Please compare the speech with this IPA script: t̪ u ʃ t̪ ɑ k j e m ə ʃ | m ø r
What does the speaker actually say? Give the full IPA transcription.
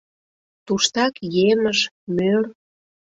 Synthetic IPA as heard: t̪ u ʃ t̪ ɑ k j e m ə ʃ | m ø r